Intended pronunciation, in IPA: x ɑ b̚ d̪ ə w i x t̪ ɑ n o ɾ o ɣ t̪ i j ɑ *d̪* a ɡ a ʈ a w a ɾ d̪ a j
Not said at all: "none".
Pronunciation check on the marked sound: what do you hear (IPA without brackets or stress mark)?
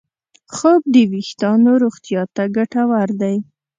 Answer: t̪